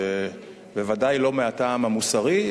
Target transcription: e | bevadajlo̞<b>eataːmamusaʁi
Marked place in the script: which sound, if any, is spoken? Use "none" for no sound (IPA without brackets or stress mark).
m